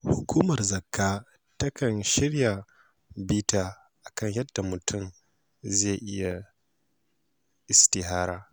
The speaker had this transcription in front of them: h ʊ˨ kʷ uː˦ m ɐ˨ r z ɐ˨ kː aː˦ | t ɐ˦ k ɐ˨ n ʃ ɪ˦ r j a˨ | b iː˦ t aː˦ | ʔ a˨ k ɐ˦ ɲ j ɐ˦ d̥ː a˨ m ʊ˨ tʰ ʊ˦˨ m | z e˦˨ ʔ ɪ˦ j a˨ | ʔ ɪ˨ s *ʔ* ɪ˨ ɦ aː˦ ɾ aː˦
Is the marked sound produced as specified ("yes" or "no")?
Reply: no